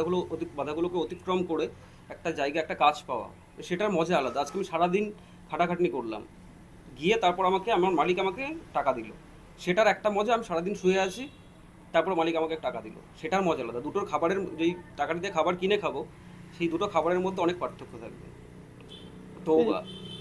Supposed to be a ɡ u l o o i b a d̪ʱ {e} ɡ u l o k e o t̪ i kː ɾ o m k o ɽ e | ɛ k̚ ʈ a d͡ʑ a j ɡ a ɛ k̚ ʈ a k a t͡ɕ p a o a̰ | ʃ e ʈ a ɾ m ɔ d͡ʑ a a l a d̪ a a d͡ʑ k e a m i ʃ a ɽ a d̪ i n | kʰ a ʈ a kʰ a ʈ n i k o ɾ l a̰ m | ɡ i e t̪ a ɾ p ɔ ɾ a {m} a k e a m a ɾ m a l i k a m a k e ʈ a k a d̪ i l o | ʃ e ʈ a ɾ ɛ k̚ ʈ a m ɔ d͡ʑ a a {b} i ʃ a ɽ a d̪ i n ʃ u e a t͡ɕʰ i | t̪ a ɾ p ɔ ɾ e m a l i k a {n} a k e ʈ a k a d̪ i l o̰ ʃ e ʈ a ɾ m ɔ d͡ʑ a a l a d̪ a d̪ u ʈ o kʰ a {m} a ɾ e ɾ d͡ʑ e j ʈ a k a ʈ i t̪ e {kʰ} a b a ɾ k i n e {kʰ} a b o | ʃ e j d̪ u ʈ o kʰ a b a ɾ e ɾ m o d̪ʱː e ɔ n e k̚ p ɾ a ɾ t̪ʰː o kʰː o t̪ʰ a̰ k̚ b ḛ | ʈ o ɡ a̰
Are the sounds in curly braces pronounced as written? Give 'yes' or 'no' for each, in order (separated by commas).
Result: no, yes, no, no, no, yes, yes